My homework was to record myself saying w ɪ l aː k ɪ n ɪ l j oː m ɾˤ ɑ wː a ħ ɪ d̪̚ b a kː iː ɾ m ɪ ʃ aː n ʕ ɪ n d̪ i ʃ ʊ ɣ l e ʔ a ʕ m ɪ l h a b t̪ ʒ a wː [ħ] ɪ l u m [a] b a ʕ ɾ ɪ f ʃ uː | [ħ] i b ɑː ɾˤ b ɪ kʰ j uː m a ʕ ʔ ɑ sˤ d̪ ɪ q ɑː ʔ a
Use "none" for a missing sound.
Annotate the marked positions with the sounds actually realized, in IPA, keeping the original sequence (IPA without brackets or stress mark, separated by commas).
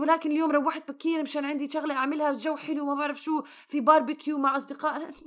ħ, a, f